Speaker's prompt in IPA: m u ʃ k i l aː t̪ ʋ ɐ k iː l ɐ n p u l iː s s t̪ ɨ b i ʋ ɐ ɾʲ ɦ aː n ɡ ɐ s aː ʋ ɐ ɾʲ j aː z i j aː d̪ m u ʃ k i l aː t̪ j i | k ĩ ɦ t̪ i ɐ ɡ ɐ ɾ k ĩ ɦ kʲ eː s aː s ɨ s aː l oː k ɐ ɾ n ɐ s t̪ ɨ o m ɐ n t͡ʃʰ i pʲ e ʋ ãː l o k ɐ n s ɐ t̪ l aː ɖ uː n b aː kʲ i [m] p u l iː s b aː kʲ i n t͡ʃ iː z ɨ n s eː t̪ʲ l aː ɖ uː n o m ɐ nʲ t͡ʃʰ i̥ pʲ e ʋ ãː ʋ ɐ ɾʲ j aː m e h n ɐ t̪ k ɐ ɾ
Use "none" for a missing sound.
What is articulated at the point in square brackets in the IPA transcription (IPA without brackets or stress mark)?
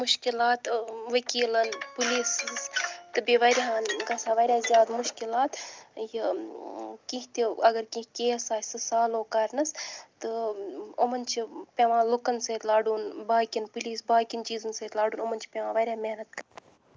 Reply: n